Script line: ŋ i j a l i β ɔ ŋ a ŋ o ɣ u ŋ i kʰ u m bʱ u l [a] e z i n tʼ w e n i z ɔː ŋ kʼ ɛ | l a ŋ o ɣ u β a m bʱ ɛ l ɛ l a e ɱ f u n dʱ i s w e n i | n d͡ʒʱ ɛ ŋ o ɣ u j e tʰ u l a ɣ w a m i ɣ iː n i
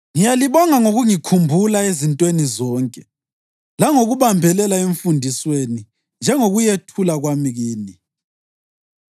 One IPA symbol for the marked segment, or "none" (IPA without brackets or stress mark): a